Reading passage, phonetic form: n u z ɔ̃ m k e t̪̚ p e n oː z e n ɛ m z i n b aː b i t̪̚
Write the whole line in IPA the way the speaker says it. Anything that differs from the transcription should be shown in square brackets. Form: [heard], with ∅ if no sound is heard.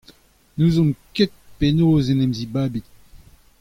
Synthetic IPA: n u z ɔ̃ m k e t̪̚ p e n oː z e n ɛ m z i [∅] b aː b i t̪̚